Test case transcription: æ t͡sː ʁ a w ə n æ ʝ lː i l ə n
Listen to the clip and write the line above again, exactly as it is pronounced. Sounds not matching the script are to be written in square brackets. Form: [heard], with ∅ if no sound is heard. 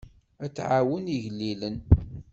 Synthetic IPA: æ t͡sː [ʕ] a w ə n [i] ʝ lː i l ə n